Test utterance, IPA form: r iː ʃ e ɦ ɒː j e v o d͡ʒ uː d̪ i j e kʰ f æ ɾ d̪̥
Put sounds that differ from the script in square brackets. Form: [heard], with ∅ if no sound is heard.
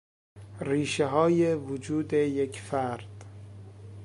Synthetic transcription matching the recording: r iː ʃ e ɦ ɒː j e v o d͡ʒ uː d̪ [e] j e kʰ f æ ɾ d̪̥